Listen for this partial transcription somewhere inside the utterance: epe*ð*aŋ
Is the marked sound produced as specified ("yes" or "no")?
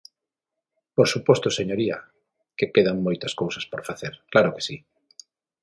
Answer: yes